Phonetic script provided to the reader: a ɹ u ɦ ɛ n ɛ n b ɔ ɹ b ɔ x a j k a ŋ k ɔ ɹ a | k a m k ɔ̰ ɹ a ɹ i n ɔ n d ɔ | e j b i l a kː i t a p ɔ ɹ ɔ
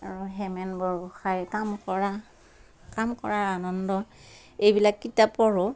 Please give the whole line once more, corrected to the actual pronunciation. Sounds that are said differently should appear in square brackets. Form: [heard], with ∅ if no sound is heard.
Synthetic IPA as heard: a ɹ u ɦ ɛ [m] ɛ n b ɔ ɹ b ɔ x a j k a [m] k ɔ ɹ a | k a m k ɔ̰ ɹ a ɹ [a] n ɔ n d ɔ | e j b i l a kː i t a p ɔ ɹ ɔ